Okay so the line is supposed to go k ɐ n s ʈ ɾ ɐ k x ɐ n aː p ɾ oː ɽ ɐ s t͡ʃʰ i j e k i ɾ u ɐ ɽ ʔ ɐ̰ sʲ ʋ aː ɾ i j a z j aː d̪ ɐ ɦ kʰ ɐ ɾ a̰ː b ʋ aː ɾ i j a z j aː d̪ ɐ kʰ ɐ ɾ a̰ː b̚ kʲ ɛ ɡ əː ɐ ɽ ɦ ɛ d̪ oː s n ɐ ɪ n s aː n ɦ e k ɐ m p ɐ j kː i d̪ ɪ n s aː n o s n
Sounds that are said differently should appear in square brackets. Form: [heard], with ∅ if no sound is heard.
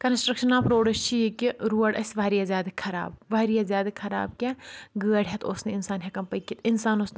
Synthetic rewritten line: k ɐ n s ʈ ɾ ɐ k [ʃ] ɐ n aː p ɾ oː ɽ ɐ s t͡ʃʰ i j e k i ɾ u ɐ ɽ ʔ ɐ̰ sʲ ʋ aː ɾ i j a z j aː d̪ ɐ [∅] kʰ ɐ ɾ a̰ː b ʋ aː ɾ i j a z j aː d̪ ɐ kʰ ɐ ɾ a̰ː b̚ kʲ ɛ ɡ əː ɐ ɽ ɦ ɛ [t̪] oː s n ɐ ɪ n s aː n ɦ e k ɐ m p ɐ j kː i [t̪] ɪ n s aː n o s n